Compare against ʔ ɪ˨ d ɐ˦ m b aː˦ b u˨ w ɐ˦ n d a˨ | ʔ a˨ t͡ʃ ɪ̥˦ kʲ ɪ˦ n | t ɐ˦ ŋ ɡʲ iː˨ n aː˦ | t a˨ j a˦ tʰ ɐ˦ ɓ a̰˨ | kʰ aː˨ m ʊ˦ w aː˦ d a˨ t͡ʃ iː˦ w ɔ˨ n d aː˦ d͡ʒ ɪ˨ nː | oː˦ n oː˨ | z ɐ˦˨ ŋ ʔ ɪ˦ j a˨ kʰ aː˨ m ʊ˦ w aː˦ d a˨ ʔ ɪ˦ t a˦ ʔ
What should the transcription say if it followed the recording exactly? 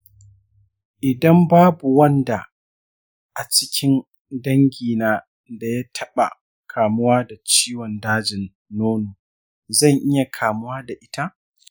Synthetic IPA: ʔ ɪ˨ d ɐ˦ m b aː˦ b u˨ w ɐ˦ n d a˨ | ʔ a˨ t͡ʃ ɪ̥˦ kʲ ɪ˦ n | d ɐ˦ ŋ ɡʲ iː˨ n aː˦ | d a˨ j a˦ tʰ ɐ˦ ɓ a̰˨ | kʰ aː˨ m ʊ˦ w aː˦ d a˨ t͡ʃ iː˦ w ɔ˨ n d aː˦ d͡ʒ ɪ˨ nː | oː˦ n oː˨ | z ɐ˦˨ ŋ ʔ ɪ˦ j a˨ kʰ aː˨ m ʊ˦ w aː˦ d a˨ ʔ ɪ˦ t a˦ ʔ